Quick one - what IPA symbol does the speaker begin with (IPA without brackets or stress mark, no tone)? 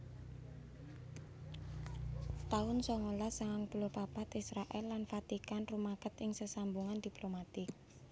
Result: t̪